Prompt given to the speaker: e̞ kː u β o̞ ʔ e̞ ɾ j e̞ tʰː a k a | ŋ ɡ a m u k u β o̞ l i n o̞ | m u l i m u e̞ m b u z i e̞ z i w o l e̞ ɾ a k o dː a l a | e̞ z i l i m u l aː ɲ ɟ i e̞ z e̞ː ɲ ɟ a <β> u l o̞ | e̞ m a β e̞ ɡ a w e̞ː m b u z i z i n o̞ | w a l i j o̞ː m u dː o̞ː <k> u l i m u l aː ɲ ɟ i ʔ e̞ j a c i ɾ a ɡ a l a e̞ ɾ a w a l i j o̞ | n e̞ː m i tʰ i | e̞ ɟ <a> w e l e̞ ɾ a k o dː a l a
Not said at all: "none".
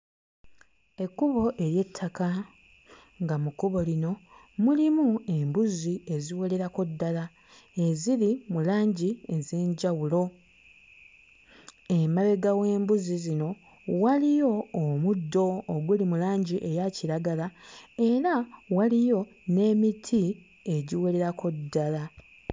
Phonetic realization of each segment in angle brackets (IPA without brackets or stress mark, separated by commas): w, ɡ, i